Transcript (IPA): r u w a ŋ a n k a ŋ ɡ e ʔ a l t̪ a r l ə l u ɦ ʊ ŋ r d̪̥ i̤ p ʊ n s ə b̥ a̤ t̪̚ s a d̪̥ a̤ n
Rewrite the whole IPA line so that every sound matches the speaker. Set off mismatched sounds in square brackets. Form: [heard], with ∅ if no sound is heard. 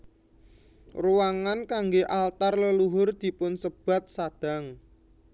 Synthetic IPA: r u w a ŋ a n k a ŋ ɡ e ʔ a l t̪ a r l ə l u ɦ ʊ [∅] r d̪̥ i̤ p ʊ n s ə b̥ a̤ t̪̚ s a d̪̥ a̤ [ŋ]